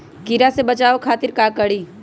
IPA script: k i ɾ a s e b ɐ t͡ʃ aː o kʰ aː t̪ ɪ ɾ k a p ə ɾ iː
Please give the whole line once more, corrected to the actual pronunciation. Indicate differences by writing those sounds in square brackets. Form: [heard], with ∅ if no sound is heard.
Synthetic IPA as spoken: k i ɾ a s e b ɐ t͡ʃ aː o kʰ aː t̪ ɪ ɾ k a [k] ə [ɽ] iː